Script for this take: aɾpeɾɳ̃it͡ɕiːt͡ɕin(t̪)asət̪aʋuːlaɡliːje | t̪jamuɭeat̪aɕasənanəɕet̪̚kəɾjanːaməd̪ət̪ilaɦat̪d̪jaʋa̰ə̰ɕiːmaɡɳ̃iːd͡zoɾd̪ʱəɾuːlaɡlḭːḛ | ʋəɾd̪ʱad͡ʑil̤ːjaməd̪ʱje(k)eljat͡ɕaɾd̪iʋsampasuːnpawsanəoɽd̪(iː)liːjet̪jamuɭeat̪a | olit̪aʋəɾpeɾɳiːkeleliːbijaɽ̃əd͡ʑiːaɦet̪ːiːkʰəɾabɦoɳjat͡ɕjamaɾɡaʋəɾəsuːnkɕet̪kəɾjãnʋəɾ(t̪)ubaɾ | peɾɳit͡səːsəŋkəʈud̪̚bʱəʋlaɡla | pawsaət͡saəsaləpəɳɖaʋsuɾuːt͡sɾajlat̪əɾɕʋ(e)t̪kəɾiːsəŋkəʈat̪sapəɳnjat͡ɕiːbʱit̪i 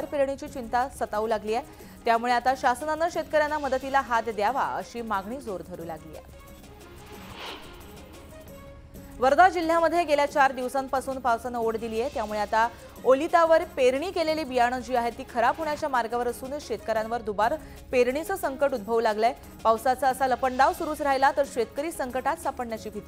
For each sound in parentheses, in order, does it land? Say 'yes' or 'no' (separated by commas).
yes, no, no, no, yes